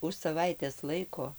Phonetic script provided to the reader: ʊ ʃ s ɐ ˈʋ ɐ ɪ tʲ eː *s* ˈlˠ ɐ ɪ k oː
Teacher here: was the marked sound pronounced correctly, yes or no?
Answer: yes